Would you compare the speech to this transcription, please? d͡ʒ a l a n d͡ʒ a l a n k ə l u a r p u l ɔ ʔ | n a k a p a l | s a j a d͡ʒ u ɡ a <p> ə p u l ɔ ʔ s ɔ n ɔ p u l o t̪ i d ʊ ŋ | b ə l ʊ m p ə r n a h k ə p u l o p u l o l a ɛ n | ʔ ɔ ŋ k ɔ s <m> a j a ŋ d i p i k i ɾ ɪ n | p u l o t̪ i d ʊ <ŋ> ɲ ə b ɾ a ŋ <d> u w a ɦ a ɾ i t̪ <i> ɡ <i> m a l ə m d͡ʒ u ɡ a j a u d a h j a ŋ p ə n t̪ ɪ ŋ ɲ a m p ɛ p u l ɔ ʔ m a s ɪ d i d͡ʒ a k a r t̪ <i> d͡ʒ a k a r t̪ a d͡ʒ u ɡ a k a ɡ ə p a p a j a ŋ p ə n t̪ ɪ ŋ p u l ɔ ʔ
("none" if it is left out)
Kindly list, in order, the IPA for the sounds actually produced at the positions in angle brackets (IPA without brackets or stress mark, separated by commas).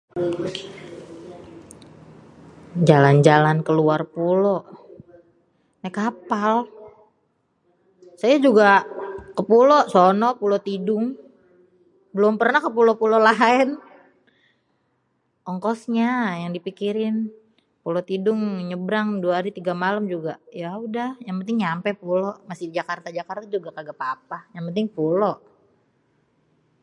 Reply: k, ɲ, ŋ, d, i, a, a